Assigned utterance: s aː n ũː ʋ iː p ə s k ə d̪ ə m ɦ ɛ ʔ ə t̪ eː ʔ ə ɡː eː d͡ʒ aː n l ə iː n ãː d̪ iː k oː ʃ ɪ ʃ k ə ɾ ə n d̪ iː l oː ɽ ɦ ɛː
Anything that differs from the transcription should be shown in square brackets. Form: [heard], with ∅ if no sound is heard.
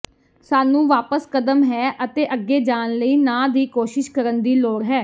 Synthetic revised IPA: s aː n ũː ʋ [aː] p ə s k ə d̪ ə m ɦ [ɛː] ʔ ə t̪ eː ʔ ə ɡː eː d͡ʒ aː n l ə iː n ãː d̪ iː k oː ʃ ɪ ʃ k ə ɾ ə n d̪ iː l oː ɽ ɦ ɛː